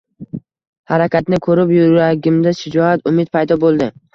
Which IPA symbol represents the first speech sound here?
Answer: h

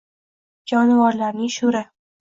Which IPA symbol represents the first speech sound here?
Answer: d͡ʒ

